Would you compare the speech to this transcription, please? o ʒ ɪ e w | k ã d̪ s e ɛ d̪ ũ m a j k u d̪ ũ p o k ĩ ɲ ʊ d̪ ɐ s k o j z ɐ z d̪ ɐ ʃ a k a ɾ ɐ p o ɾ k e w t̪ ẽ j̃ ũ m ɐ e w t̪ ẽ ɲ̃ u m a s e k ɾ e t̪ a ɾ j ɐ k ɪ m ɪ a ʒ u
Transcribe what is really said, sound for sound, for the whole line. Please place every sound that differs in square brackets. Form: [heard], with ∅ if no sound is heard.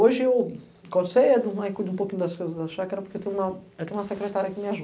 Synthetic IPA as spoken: o ʒ ɪ e w | k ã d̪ s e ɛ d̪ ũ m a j k u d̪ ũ p o k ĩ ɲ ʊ d̪ ɐ s k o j z ɐ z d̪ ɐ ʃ a k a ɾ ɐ p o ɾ k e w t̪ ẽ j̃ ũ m ɐ e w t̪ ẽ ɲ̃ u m [ɐ] s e k ɾ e t̪ a ɾ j ɐ k ɪ m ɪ a ʒ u